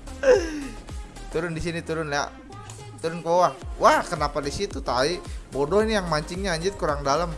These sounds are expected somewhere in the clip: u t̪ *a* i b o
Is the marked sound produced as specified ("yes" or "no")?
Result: yes